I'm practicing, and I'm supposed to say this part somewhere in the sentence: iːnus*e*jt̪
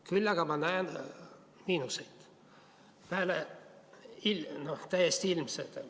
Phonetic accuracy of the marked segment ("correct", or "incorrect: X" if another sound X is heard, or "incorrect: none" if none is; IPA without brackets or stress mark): correct